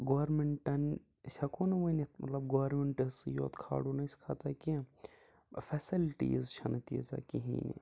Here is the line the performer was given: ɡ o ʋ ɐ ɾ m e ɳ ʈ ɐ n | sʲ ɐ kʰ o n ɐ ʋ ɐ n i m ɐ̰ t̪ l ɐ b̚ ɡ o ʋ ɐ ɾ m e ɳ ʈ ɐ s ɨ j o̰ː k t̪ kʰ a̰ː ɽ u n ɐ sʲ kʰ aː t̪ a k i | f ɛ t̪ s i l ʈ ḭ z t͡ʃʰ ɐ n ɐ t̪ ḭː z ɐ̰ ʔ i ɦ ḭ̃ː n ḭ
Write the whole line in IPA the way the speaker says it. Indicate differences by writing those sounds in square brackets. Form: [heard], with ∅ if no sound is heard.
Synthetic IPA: ɡ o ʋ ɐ ɾ m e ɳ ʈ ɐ n | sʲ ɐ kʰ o n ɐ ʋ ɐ n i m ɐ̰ t̪ l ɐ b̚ ɡ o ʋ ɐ ɾ m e ɳ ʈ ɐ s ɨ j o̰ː [∅] t̪ kʰ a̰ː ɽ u n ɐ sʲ kʰ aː t̪ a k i | f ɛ [∅] s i l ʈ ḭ z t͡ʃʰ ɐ n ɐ t̪ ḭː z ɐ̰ [k] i ɦ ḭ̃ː n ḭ